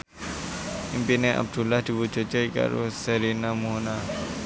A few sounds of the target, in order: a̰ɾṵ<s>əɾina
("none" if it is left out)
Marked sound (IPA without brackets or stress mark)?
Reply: s